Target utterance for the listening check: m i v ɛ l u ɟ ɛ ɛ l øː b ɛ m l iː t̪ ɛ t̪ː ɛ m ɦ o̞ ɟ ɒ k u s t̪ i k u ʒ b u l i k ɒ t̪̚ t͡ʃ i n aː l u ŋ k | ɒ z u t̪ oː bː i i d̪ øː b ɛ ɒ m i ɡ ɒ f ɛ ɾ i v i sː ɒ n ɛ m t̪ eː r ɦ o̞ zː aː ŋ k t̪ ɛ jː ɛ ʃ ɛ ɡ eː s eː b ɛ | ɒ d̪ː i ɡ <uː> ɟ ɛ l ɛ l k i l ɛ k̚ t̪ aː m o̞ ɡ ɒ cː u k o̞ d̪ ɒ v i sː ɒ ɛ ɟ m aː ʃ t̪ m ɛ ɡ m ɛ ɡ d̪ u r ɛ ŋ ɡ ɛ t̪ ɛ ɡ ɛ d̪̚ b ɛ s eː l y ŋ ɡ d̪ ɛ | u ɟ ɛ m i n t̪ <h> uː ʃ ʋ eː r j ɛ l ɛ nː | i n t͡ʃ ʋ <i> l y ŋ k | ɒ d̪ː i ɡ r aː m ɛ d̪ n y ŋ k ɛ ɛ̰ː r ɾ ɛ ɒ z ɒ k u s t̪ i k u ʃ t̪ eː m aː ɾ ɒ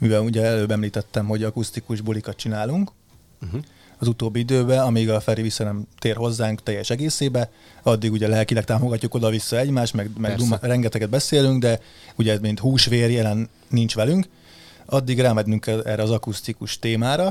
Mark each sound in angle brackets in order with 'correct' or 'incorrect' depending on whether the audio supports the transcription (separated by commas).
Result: incorrect, correct, incorrect